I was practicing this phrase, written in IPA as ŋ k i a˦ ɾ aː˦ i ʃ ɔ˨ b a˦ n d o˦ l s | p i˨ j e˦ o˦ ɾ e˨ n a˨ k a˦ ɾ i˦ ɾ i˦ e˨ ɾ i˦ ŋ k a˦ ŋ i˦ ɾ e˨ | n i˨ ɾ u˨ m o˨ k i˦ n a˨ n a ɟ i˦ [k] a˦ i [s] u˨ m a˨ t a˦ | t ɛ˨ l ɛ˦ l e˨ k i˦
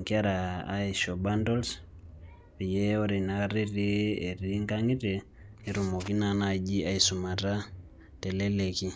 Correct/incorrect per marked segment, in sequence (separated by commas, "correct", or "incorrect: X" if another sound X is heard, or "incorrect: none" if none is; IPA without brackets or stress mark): incorrect: none, correct